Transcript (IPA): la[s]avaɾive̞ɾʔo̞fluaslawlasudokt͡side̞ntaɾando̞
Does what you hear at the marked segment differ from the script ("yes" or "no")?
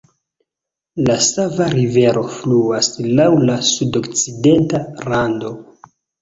no